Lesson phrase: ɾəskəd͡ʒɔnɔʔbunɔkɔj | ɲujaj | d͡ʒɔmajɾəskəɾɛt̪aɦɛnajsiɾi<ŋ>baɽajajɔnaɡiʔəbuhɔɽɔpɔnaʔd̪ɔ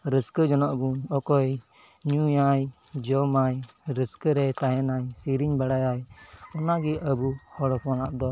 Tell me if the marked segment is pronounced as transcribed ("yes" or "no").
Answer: no